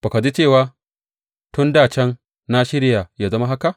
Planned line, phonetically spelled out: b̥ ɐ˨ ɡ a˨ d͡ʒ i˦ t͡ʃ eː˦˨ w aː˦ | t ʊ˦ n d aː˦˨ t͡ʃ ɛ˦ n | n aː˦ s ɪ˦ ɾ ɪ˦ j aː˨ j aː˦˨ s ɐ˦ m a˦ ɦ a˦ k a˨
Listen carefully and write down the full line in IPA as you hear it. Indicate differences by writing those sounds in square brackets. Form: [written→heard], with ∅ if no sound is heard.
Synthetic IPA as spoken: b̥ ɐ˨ [ɡ→k] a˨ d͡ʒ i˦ t͡ʃ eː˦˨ w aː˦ | t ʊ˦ n d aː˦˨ t͡ʃ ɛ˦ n | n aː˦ [s→ʃ] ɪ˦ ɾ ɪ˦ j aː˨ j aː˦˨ [s→z] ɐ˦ m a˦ ɦ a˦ k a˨